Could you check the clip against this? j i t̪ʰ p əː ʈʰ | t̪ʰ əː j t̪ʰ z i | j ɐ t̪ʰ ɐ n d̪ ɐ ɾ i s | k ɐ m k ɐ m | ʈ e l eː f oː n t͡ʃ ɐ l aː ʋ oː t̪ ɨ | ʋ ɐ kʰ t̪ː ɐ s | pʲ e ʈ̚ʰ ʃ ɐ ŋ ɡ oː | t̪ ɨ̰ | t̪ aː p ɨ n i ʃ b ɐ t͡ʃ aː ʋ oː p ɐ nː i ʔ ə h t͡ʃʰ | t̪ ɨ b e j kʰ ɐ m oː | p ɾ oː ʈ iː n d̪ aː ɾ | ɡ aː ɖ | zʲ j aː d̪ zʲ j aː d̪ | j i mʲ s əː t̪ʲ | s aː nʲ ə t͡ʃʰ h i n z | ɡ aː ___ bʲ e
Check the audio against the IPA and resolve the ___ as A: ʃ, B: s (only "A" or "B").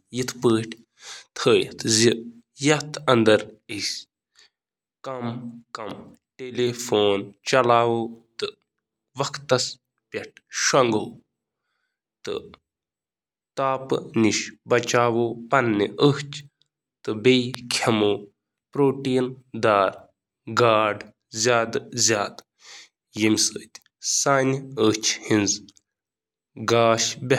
A